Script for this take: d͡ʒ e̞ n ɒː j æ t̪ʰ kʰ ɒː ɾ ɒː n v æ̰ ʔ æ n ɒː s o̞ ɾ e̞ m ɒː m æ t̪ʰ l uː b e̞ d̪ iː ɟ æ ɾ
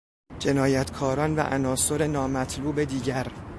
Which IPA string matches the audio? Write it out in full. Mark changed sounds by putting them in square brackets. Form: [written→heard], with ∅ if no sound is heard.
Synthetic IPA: d͡ʒ e̞ n ɒː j æ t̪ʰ kʰ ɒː ɾ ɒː n v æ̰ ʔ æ n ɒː s o̞ ɾ e̞ [m→n] ɒː m æ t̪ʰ l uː b e̞ d̪ iː ɟ æ ɾ